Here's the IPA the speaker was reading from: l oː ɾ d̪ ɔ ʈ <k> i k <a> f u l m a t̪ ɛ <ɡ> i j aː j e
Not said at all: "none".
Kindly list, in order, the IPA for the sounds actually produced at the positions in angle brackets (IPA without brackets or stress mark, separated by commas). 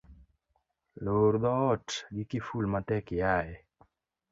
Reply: ɡ, i, k